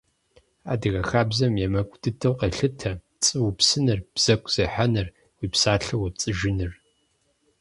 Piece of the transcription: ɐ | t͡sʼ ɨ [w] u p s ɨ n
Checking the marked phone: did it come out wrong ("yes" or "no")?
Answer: no